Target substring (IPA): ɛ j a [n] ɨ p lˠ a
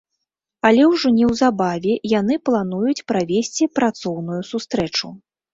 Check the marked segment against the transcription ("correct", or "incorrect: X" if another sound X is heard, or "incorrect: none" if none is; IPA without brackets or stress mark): correct